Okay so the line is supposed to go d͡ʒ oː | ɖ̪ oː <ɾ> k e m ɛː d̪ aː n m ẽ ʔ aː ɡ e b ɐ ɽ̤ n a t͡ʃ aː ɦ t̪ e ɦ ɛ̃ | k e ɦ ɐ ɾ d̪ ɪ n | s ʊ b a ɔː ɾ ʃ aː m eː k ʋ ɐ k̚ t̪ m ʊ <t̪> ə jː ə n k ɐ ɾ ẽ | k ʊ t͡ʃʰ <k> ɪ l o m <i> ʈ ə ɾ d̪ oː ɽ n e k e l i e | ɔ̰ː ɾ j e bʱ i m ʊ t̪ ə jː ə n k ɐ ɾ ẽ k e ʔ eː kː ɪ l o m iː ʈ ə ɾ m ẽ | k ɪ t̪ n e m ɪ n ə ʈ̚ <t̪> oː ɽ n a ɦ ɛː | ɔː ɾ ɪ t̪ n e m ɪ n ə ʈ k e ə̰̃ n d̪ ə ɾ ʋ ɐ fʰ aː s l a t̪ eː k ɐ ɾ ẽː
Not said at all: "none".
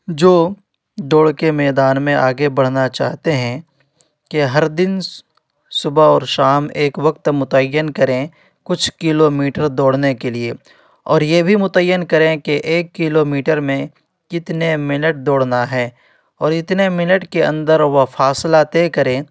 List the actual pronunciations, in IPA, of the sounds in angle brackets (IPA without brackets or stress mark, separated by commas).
ɽ, t̪, k, iː, d̪